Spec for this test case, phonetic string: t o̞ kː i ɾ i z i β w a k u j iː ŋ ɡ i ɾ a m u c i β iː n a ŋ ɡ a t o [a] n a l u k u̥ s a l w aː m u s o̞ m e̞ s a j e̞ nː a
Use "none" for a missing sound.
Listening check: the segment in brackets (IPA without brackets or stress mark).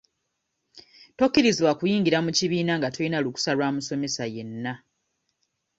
i